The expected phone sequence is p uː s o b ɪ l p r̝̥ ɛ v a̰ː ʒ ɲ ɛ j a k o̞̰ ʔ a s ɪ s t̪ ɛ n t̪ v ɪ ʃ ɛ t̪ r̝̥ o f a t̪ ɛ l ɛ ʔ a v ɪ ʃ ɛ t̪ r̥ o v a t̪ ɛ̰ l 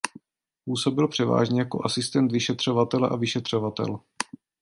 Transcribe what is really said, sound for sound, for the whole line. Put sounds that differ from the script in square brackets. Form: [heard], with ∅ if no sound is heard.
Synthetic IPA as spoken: p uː s o b ɪ l p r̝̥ ɛ v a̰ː ʒ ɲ ɛ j a k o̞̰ ʔ a s ɪ s t̪ ɛ n t̪ v ɪ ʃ ɛ t̪ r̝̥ o [v] a t̪ ɛ l ɛ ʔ a v ɪ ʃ ɛ t̪ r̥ o v a t̪ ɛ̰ l